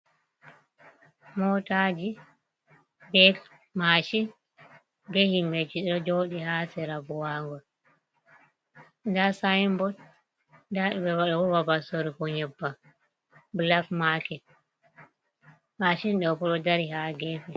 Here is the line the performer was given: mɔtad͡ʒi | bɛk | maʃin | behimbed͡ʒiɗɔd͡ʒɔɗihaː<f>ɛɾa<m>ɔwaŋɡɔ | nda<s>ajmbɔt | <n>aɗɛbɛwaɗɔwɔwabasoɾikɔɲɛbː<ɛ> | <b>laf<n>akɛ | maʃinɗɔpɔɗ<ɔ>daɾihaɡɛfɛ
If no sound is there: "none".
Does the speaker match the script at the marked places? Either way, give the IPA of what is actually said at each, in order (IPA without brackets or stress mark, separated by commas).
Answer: s, b, s, d, a, b, m, ɔ